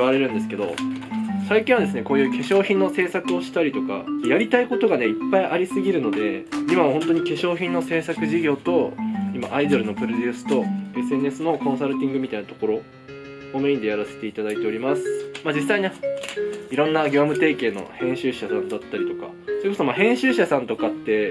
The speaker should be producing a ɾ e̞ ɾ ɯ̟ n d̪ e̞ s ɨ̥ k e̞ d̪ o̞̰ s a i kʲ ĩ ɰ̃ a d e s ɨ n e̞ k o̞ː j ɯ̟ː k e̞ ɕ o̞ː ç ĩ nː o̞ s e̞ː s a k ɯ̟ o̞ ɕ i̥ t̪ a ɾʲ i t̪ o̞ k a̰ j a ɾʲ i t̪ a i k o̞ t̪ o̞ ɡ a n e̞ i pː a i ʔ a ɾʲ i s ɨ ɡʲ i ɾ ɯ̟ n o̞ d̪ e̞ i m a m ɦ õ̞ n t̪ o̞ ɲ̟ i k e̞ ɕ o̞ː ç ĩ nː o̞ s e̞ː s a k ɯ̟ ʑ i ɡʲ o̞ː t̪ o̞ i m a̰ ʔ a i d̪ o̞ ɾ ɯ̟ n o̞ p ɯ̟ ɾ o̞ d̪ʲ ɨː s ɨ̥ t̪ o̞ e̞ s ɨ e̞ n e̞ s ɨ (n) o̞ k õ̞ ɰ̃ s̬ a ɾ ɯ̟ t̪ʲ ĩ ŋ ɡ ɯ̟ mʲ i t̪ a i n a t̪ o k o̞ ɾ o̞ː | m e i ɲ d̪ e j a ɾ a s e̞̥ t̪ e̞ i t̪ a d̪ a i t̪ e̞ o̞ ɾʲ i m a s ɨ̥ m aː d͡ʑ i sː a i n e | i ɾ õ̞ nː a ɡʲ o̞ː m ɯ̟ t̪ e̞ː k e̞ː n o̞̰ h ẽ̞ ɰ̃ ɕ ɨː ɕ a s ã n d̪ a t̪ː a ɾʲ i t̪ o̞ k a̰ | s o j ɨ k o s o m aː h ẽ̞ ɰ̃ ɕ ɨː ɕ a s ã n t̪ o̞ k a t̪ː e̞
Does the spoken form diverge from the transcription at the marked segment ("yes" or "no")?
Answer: no